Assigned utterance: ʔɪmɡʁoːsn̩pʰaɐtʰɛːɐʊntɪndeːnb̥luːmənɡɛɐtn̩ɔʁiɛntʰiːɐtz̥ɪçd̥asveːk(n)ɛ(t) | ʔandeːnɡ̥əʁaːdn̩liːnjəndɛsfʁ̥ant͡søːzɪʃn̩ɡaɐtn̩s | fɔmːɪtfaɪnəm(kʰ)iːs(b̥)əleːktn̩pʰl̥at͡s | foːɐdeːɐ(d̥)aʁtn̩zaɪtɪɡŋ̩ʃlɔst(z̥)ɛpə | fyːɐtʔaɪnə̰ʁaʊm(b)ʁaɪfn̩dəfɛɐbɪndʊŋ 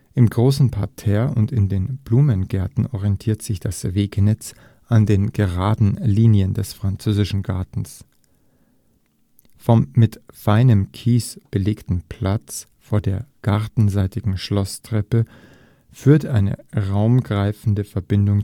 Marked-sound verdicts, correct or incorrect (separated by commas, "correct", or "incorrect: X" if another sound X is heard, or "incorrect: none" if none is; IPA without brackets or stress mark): correct, incorrect: t͡s, correct, correct, incorrect: ɡ̥, incorrect: ʁ̥, incorrect: ɡ